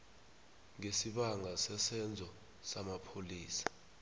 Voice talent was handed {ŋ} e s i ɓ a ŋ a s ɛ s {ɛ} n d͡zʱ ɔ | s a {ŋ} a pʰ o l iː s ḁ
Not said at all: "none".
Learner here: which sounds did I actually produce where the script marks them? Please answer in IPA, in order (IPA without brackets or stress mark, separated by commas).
ŋ, ɛ, m